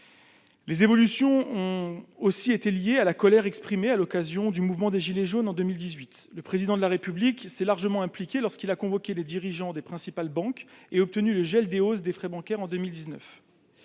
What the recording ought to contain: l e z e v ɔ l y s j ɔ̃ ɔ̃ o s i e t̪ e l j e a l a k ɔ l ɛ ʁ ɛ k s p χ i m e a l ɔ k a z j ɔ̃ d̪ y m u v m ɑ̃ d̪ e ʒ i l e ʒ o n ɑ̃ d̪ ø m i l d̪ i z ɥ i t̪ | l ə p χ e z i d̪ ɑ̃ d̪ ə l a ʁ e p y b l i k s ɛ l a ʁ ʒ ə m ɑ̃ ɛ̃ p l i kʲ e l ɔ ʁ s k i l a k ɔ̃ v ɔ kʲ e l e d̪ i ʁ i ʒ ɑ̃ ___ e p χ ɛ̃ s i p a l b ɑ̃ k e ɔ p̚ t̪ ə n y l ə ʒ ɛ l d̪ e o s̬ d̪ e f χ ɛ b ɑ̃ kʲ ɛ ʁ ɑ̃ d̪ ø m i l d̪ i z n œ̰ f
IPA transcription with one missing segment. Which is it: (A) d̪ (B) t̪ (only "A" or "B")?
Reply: A